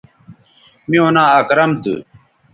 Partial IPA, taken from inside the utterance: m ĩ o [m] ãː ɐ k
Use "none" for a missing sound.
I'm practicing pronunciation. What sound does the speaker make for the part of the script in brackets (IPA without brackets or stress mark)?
n